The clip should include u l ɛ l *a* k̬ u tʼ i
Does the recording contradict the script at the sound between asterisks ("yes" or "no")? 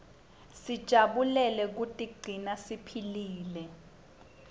yes